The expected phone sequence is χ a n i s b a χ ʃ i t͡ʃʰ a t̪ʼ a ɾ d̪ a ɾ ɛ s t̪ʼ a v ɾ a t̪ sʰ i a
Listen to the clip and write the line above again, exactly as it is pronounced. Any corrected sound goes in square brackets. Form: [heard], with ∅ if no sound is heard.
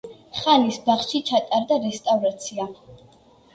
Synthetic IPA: χ a n i s b a χ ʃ i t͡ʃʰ a t̪ʼ a ɾ d̪ a ɾ ɛ s t̪ʼ a v ɾ a t̪ sʰ i a